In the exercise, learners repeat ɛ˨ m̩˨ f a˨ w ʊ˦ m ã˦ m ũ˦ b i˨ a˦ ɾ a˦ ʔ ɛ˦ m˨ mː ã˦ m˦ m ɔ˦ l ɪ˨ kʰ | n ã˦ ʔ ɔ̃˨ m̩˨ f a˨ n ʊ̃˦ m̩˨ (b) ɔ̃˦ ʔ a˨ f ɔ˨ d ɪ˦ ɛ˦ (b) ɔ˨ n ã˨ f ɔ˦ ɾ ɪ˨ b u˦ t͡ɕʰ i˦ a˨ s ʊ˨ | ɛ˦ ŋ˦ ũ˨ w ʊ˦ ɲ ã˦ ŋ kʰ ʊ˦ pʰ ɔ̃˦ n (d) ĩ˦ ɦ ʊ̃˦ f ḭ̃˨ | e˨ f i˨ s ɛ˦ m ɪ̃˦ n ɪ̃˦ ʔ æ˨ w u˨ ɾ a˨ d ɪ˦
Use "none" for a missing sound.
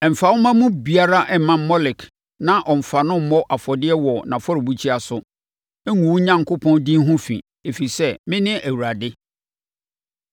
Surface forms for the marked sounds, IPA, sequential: m, w, d

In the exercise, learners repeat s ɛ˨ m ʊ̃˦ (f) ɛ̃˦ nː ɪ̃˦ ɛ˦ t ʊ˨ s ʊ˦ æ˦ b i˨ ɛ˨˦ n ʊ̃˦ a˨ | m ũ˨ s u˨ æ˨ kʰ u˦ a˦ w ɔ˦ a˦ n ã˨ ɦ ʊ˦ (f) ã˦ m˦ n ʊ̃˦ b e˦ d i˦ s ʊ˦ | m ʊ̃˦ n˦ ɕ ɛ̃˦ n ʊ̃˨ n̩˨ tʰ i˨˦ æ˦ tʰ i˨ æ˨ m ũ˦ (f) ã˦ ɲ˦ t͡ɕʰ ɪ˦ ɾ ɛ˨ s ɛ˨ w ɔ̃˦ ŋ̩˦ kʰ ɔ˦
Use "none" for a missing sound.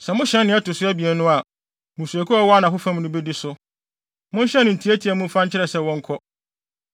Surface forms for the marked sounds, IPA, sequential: ɕ, f, f

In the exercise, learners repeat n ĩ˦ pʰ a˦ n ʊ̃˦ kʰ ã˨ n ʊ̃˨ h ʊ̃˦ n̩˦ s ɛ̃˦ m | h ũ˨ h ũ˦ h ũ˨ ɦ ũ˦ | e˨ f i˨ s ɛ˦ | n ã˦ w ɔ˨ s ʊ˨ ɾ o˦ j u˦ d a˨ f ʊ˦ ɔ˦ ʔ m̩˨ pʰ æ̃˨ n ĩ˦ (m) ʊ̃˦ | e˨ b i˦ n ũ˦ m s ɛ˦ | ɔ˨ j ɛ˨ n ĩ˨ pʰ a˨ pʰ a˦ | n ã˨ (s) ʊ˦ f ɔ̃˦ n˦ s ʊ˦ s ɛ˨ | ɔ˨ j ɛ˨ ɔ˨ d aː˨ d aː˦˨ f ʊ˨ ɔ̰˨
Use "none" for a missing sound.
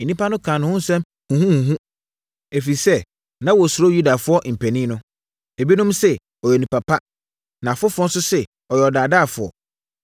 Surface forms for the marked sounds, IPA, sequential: n, f

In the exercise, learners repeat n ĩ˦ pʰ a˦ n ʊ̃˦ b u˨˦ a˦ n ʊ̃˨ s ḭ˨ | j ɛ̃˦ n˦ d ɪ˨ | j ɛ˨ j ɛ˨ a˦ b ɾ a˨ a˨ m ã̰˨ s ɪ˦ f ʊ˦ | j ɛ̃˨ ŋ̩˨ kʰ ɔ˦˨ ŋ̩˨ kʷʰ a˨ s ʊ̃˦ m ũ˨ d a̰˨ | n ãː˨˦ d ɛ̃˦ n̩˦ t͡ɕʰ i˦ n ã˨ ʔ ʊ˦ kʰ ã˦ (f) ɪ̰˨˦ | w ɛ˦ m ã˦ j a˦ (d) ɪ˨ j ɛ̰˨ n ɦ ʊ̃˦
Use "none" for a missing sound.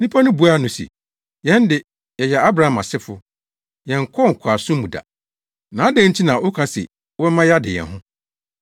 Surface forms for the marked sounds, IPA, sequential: s, d

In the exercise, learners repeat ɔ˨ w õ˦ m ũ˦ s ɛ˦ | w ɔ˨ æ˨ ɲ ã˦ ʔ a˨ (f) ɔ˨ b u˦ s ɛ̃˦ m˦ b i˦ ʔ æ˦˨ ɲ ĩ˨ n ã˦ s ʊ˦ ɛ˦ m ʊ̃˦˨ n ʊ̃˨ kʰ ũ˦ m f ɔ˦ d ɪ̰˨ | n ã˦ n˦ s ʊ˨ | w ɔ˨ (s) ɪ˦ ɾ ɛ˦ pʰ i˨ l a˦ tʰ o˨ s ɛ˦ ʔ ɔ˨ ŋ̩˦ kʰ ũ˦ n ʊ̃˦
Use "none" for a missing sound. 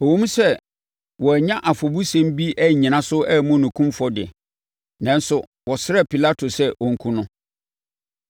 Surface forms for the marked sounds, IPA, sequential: f, s

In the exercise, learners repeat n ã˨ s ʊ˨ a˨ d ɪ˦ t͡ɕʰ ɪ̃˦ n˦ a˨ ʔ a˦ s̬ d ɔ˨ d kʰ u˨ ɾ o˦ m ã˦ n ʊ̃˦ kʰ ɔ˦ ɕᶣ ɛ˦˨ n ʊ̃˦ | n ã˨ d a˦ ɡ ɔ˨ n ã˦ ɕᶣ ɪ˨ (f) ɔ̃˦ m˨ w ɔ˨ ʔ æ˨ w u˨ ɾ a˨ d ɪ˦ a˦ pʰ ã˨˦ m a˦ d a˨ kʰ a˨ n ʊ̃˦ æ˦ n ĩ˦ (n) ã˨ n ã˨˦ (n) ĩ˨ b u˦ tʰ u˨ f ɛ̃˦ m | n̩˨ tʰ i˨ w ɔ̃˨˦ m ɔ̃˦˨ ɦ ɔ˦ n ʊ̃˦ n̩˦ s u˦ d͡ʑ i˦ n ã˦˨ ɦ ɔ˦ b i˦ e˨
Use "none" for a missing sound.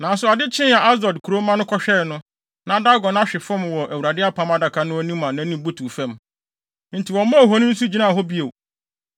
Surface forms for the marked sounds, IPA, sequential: f, m, n

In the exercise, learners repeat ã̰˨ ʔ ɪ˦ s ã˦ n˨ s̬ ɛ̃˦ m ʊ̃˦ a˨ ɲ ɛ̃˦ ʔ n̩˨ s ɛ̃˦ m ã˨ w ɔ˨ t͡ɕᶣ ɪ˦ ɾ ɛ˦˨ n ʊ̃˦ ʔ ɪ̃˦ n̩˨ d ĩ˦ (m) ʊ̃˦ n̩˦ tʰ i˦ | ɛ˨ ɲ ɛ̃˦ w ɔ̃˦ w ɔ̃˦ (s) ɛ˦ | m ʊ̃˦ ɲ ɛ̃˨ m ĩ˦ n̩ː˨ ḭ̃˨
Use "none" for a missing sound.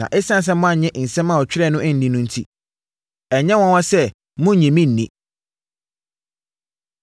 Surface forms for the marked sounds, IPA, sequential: n, s

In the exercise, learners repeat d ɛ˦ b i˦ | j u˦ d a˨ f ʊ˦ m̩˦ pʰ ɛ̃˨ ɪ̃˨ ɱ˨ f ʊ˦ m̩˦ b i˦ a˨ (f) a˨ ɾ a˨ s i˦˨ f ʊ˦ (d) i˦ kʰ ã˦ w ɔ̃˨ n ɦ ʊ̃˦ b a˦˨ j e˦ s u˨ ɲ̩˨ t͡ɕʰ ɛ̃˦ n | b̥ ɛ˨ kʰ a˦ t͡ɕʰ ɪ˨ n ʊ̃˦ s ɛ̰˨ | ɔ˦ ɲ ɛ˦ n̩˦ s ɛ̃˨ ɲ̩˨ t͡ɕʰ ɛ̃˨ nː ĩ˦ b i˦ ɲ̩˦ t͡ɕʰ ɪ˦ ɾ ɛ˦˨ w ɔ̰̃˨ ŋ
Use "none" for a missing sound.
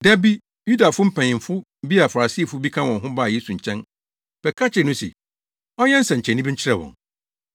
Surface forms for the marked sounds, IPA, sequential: f, b

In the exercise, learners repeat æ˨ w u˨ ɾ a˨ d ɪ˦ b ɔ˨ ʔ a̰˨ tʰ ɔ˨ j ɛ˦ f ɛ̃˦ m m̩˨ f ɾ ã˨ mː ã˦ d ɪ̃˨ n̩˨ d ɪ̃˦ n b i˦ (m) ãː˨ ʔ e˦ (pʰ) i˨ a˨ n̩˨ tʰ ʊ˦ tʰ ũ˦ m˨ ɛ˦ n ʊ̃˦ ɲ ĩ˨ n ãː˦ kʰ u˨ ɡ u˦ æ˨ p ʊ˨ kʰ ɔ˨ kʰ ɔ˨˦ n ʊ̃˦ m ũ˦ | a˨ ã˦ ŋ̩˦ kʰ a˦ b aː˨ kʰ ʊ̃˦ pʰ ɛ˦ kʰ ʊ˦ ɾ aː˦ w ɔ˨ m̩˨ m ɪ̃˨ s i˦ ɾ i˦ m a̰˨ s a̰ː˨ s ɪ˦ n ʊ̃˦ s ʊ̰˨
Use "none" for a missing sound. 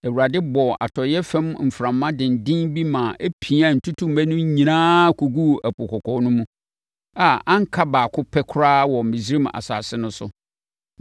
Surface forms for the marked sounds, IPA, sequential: m, pʰ

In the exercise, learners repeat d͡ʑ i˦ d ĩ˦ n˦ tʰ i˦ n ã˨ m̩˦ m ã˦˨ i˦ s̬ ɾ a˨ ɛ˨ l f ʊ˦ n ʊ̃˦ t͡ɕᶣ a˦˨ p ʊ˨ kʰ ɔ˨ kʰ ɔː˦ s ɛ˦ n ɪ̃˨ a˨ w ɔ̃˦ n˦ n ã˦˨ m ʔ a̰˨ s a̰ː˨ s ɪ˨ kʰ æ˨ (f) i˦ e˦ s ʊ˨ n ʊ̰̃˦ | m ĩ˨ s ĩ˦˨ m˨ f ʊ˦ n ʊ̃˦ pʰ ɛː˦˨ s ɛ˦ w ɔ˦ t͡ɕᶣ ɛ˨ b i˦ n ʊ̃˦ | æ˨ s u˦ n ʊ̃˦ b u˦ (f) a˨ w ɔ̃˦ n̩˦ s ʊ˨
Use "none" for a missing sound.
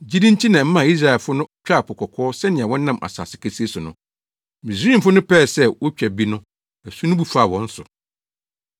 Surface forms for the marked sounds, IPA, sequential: s, f

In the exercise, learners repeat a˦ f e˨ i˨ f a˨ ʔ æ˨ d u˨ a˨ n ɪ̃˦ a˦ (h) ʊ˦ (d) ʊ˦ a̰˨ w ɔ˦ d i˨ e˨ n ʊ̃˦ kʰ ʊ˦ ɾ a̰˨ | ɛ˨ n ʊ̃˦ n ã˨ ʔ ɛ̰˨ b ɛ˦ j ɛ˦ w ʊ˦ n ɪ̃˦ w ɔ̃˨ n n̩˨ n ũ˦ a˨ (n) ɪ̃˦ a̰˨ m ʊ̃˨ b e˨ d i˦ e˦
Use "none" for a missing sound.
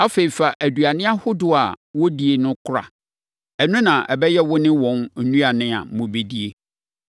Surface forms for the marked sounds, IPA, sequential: h, d, n

